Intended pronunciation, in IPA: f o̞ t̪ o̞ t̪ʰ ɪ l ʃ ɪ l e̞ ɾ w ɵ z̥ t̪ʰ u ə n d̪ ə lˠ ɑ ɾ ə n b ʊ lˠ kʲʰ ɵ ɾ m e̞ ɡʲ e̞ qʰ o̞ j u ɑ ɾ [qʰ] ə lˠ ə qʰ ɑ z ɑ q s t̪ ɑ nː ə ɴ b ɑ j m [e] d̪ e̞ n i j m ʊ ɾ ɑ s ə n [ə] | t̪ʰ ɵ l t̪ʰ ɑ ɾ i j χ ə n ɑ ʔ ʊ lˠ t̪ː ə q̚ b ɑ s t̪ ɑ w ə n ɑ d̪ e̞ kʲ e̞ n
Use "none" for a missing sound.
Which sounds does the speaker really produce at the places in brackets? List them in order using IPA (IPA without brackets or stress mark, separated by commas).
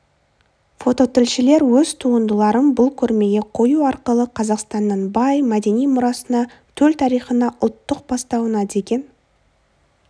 q, æ, ɑ